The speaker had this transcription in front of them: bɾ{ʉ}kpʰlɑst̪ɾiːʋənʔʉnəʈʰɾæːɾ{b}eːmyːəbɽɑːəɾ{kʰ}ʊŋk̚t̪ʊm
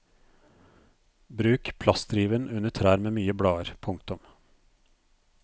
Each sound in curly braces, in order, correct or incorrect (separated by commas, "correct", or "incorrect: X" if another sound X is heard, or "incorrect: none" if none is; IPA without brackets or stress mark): incorrect: ʉː, incorrect: m, incorrect: pʰ